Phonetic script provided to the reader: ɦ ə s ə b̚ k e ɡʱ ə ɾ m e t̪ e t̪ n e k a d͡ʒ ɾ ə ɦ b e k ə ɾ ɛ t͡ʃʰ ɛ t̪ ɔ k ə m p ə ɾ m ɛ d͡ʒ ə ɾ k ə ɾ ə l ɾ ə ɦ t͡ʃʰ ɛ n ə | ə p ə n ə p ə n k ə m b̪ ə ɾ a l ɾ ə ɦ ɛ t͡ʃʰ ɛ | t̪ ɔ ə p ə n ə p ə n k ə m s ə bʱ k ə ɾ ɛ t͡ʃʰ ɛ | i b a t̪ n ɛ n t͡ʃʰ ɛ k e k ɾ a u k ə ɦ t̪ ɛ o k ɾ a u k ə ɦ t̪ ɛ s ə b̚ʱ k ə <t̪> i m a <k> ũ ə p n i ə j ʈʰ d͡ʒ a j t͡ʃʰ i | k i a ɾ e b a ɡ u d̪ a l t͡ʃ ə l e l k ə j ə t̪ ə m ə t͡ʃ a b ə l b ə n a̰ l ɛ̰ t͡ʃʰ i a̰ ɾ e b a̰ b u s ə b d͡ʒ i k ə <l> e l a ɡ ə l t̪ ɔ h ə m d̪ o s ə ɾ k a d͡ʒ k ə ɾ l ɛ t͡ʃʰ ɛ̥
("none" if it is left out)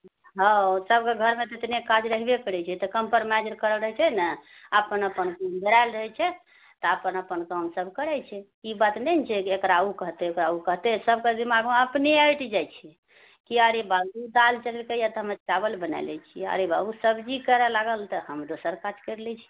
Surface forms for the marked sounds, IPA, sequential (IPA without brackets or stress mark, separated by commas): d̪, ɡ, ɾ